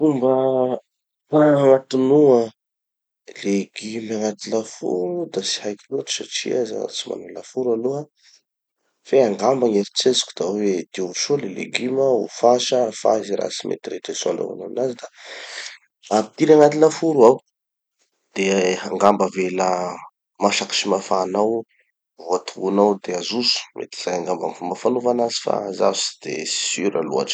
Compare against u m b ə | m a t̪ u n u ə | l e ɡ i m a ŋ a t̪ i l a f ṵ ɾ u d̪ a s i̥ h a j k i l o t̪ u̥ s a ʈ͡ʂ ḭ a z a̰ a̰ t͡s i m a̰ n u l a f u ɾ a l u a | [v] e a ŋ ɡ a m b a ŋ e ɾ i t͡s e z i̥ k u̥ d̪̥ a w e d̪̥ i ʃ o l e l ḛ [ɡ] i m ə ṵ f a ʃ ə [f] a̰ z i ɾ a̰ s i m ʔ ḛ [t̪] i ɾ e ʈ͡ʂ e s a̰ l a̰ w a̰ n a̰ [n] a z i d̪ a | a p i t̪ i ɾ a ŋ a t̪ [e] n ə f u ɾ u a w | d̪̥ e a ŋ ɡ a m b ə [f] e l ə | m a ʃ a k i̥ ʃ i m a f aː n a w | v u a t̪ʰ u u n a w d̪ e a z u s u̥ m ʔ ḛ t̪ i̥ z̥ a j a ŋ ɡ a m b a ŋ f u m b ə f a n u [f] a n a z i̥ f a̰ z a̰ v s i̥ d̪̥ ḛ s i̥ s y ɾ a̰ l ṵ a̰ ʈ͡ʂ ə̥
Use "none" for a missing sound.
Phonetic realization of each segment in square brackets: f, ɡ, f, t̪, n, i, v, v

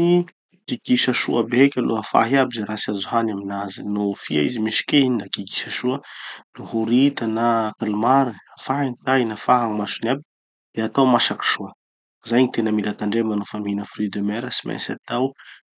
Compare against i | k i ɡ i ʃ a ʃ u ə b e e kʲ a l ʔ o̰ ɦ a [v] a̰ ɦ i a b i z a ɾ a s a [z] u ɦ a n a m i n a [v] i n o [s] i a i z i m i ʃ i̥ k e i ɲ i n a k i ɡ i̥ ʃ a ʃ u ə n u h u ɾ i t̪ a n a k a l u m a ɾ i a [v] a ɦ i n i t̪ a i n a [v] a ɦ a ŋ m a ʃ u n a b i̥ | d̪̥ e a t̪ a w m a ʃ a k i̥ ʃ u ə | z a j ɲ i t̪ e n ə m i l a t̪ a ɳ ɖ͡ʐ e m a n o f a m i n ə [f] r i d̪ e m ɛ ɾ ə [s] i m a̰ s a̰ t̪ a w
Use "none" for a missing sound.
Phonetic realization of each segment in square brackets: f, z, z, f, f, f, f, s

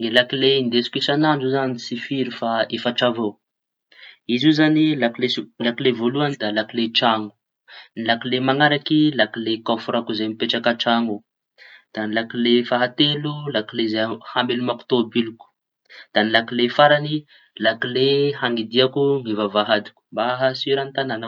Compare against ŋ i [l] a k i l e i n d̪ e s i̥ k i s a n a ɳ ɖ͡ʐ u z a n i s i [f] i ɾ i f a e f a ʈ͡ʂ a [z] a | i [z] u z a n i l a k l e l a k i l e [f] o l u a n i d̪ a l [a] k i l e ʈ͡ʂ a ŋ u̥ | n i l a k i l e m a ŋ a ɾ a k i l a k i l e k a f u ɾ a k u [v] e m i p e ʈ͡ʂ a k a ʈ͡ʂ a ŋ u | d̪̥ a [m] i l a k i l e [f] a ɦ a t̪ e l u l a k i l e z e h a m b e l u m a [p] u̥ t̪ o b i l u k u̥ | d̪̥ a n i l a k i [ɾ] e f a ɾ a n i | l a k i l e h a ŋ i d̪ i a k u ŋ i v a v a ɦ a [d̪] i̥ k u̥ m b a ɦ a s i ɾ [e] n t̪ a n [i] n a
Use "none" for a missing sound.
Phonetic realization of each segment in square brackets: l, f, v, z, v, a, z, n, f, k, l, d̪, a, a

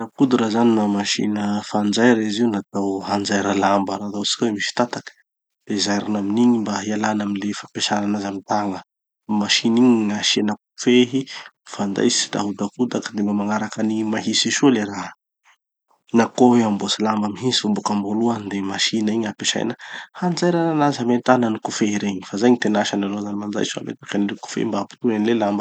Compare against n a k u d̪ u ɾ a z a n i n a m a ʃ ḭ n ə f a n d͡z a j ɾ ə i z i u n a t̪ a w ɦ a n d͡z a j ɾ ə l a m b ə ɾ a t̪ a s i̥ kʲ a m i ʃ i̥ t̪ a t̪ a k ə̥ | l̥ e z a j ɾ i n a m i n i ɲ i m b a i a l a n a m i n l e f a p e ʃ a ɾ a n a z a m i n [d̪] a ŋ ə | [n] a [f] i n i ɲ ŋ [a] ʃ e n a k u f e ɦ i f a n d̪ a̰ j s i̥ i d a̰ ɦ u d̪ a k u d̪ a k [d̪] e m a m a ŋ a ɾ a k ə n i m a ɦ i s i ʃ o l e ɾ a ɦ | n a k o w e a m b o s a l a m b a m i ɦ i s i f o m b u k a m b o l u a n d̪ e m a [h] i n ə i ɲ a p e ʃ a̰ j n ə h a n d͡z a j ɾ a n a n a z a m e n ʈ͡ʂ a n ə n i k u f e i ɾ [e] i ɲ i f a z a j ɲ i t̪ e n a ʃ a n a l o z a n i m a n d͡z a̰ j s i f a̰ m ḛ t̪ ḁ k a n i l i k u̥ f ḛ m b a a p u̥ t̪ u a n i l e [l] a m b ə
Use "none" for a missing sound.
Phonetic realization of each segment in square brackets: t̪, m, ʃ, a, d̪, ʃ, e, l

